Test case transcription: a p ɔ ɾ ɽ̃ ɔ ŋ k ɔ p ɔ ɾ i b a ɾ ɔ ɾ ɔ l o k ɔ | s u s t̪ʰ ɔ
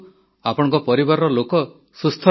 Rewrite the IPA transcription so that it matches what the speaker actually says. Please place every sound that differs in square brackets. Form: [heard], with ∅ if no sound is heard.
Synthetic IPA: a p ɔ [∅] ɽ̃ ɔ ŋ k ɔ p ɔ ɾ i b a ɾ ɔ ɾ ɔ l o k ɔ | s u s t̪ʰ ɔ